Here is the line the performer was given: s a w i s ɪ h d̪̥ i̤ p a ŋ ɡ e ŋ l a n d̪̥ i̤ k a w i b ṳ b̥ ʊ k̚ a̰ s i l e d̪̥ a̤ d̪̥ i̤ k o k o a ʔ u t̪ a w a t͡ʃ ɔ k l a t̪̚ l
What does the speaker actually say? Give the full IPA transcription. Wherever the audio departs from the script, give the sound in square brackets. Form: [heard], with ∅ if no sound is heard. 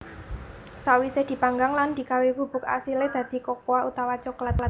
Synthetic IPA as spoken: s a w i s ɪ h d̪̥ i̤ p a ŋ ɡ [a] ŋ l a n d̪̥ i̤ k a w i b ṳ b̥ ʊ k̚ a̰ s i l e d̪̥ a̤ d̪̥ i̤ k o k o a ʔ u t̪ a w a t͡ʃ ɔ k l a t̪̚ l